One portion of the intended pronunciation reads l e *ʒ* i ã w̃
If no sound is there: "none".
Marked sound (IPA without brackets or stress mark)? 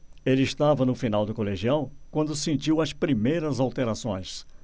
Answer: ʒ